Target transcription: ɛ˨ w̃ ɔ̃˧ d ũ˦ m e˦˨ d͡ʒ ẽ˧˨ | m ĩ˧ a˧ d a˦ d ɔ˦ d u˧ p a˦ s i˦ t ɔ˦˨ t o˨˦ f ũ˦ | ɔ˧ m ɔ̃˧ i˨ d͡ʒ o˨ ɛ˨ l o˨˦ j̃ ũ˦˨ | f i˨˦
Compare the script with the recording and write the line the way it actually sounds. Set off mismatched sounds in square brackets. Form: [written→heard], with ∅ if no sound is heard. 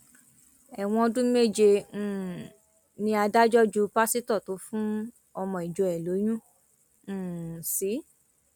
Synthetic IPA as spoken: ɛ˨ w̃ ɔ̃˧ d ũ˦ m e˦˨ d͡ʒ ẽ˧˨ | [m→n] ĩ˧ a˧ d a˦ [d→d͡ʒ] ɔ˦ [d→d͡ʒ] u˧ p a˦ s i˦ t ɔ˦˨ t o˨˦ f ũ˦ | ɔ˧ m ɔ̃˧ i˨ d͡ʒ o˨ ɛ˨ l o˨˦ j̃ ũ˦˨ | [f→s] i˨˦